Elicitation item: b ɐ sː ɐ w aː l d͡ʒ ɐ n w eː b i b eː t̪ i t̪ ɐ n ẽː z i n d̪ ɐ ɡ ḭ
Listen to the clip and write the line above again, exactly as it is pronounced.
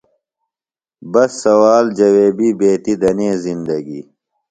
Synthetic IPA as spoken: b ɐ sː ɐ w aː l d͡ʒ ɐ w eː b i b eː t̪ i d̪ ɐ n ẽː z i n d̪ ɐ ɡ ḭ